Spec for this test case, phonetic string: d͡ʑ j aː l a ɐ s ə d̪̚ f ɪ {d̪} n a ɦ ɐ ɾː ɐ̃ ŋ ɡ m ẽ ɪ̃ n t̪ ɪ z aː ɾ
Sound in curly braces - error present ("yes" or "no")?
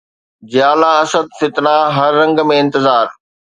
yes